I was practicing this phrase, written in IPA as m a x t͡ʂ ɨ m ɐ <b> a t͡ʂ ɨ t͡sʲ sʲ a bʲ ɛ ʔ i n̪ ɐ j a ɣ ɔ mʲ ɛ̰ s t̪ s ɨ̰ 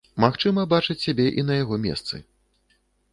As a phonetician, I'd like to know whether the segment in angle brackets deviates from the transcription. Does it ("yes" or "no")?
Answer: no